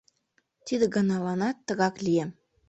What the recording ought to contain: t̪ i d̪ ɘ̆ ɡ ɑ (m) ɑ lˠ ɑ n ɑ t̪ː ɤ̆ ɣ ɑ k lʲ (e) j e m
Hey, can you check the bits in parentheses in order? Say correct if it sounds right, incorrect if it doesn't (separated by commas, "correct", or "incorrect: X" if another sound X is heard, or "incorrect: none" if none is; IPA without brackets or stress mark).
incorrect: n, incorrect: i